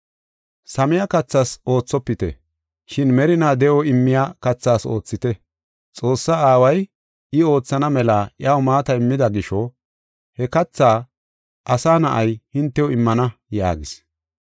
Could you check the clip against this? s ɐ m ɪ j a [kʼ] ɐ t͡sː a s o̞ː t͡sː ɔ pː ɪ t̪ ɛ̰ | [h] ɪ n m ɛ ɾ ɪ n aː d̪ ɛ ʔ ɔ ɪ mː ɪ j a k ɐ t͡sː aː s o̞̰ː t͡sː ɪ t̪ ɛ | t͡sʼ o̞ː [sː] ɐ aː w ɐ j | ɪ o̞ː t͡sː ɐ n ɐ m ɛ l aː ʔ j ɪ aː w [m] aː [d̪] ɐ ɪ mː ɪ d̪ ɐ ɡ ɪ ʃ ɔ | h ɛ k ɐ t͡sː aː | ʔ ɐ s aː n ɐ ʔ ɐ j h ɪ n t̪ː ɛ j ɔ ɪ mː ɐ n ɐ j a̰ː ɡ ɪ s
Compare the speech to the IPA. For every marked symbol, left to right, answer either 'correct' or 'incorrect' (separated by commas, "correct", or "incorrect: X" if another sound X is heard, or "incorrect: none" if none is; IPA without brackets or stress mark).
incorrect: k, incorrect: ʃ, correct, correct, incorrect: t̪